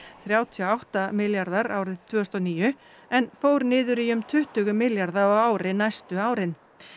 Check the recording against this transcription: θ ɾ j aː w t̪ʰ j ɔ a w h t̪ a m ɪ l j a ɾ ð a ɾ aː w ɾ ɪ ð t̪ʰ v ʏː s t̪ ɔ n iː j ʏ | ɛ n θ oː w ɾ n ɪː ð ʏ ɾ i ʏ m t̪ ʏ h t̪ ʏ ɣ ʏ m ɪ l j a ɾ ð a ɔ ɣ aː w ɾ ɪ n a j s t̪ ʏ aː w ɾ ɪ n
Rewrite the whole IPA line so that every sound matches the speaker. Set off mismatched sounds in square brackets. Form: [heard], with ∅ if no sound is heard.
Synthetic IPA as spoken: θ ɾ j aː w t̪ʰ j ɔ a w h t̪ a m ɪ l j a ɾ ð a ɾ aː w ɾ ɪ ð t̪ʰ v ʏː s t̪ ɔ n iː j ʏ | ɛ n [f] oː w ɾ n ɪː ð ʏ ɾ i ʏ m [t̪ʰ] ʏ h t̪ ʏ ɣ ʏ m ɪ l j a ɾ ð a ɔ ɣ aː w ɾ ɪ n a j s t̪ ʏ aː w ɾ ɪ n